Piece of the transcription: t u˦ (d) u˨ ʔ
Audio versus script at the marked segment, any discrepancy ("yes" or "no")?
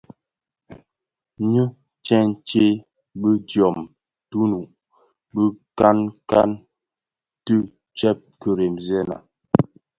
yes